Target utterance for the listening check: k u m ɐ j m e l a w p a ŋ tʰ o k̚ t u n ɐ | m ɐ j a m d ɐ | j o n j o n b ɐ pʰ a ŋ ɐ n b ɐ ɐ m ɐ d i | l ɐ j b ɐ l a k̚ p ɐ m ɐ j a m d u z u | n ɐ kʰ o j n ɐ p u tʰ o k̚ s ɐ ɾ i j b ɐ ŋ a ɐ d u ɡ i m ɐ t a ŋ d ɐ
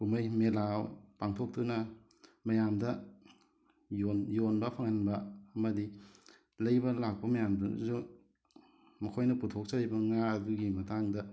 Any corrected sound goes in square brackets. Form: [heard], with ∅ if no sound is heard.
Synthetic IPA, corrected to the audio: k u m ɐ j m e l a w p a ŋ tʰ o k̚ t u n ɐ | m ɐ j a m d ɐ | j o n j o n b ɐ pʰ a ŋ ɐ n b ɐ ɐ m ɐ d i | l ɐ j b ɐ l a k̚ p ɐ m ɐ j a m d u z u | [m] ɐ kʰ o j n ɐ p u tʰ o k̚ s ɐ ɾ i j b ɐ ŋ a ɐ d u ɡ i m ɐ t a ŋ d ɐ

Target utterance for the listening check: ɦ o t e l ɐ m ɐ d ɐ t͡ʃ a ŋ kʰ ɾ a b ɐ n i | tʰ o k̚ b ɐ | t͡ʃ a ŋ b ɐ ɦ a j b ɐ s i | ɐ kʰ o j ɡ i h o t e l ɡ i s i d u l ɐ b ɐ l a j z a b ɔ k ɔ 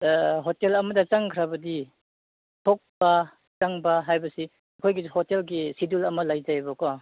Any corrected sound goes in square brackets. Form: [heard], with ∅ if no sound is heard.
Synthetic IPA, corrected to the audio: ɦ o t e l ɐ m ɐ d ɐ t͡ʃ a ŋ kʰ ɾ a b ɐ [d] i | tʰ o k̚ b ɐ | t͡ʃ a ŋ b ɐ ɦ a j b ɐ s i | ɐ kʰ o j ɡ i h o t e l ɡ i s i d u l ɐ [m] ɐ l a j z a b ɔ k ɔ

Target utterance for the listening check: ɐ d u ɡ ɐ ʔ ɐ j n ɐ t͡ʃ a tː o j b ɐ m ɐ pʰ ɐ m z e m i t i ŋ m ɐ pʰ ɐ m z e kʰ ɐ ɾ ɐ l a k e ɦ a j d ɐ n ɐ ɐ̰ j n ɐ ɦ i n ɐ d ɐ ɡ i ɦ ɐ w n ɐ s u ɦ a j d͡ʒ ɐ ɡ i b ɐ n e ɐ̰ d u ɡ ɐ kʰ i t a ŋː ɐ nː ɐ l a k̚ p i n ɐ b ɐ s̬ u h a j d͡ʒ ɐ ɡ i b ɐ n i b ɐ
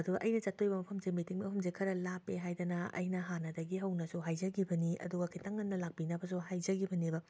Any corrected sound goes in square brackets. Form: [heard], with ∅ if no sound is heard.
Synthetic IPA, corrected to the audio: ɐ d u ɡ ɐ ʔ ɐ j n ɐ t͡ʃ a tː o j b ɐ m ɐ pʰ ɐ m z e m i t i ŋ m ɐ pʰ ɐ m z e kʰ ɐ ɾ ɐ l a [p] e ɦ a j d ɐ n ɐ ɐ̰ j n ɐ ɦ [a] n ɐ d ɐ ɡ i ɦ ɐ w n ɐ s u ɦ a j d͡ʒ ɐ ɡ i b ɐ n [i] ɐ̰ d u ɡ ɐ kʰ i t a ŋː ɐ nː ɐ l a k̚ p i n ɐ b ɐ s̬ u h a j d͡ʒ ɐ ɡ i b ɐ n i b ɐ

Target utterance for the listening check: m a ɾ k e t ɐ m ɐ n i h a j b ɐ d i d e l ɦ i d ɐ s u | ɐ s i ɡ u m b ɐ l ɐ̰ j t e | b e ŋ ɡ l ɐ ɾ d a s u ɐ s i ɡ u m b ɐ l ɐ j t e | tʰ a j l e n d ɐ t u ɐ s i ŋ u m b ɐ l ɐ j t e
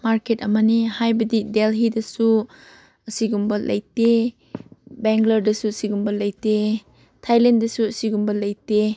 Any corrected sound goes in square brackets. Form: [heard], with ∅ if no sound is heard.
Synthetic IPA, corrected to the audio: m a ɾ k e t ɐ m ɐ n i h a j b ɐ d i d e l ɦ i d ɐ s u | ɐ s i ɡ u m b ɐ l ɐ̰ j t e | b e ŋ ɡ l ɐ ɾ d [ɐ] s u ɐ s i ɡ u m b ɐ l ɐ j t e | tʰ a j l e n d ɐ [s] u ɐ s i [ɡ] u m b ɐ l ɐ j t e

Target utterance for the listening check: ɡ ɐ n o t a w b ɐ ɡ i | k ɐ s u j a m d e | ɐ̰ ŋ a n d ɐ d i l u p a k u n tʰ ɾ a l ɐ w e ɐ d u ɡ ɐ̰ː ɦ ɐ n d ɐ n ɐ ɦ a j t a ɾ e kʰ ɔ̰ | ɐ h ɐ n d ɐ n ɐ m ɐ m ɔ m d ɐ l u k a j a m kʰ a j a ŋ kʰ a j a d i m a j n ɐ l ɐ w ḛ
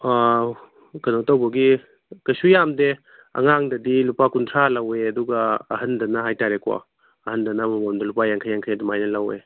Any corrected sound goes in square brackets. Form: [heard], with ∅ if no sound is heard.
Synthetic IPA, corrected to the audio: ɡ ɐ n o t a w b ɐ ɡ i | k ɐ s u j a m d e | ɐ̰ ŋ a [ŋ] d ɐ d i l u p a k u n tʰ ɾ a l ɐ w e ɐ d u ɡ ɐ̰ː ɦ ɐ n d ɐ n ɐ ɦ a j t a ɾ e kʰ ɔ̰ | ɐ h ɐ n d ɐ n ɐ m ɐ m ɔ m d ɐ l u [p] a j a [ŋ] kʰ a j a ŋ kʰ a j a d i m a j n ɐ l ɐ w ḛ

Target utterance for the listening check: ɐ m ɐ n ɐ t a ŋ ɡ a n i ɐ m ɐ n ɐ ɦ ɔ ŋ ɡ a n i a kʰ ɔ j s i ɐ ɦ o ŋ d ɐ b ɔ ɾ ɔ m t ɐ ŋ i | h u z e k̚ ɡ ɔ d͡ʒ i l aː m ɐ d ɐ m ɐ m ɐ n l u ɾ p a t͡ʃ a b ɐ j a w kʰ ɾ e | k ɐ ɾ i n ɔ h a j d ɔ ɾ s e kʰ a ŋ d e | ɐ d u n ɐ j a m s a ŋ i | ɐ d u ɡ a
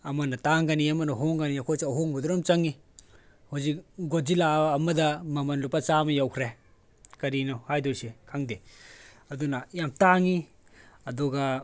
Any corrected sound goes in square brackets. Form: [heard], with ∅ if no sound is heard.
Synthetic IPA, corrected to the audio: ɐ m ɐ n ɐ t a ŋ ɡ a n i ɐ m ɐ n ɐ ɦ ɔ ŋ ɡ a n i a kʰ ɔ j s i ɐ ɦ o ŋ [b] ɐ [d] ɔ ɾ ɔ m [t͡ʃ] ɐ ŋ i | h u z [i] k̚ ɡ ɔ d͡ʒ i l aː m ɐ d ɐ m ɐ m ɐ n l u [∅] p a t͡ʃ a [m] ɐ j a w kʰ ɾ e | k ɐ ɾ i n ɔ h a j d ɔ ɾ s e kʰ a ŋ d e | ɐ d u n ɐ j a m [t] a ŋ i | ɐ d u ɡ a

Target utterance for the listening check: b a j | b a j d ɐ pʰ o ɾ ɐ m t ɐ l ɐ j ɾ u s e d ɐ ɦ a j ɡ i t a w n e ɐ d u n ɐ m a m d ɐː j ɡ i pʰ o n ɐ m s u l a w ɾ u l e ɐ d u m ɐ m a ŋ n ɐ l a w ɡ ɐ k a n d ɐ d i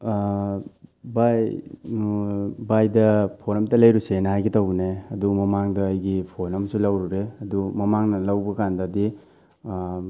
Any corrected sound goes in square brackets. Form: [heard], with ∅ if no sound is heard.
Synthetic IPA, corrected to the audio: b a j | b a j d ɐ pʰ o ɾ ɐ m t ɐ l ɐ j ɾ u s e [n] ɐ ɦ a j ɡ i t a w n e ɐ d u [m] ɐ m a [ŋ] d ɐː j ɡ i pʰ o n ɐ m s u l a w ɾ u [ɾ] e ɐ d u m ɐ m a ŋ n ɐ l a w [b] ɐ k a n d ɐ d i

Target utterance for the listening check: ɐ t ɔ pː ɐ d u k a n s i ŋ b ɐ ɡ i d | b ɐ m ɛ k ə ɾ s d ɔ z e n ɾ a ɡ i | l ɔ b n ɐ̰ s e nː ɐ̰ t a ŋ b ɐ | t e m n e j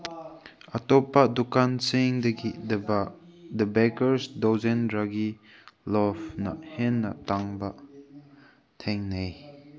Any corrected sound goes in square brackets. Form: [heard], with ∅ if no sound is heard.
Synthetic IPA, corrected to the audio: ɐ t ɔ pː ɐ d u k a n s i ŋ [d] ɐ ɡ i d | [d] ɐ [b] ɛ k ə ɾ s d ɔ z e n ɾ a ɡ i | l ɔ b n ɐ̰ [h] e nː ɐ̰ t a ŋ b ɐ | [tʰ] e [ŋ] n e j

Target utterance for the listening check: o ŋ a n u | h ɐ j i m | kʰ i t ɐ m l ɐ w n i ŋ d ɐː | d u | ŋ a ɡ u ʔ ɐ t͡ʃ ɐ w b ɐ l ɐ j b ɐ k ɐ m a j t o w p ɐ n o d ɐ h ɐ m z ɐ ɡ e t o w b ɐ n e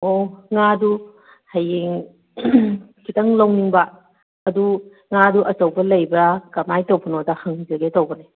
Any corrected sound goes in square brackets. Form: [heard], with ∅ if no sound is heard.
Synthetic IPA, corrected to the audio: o ŋ a [d] u | h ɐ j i [ŋ] | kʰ i t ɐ [ŋ] l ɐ w n i ŋ [b] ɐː | d u | ŋ a [d] u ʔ ɐ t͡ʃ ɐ w b ɐ l ɐ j b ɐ k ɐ m a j t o w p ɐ n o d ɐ h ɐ [ŋ] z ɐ ɡ e t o w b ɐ n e

